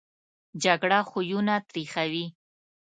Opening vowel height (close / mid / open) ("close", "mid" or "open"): open